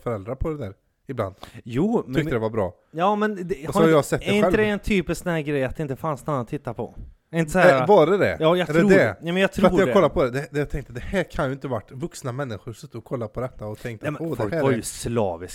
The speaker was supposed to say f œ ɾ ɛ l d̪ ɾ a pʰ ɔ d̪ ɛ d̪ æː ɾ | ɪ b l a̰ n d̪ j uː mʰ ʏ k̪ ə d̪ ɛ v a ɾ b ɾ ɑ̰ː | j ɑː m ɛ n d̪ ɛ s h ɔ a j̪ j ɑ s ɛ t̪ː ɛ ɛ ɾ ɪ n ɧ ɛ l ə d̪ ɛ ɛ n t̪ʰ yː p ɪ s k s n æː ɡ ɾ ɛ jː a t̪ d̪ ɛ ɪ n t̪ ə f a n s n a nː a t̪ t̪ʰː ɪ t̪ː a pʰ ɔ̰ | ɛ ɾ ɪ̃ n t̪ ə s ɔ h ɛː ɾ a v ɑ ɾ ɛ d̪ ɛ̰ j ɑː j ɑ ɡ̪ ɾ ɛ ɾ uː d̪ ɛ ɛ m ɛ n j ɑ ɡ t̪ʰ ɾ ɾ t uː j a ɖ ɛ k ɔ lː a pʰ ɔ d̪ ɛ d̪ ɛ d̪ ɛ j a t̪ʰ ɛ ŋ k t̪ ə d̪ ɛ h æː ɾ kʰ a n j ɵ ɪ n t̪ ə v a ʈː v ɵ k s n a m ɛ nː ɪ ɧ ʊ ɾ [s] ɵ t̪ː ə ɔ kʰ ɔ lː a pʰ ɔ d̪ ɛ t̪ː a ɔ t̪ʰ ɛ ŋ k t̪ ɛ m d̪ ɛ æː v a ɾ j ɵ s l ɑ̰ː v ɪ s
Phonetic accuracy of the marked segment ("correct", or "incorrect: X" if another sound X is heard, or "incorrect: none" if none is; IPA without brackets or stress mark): correct